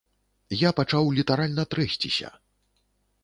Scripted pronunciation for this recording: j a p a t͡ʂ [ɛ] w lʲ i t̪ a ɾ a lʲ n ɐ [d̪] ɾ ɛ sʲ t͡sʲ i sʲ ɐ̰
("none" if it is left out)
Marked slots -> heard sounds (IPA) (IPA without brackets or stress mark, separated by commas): a, t̪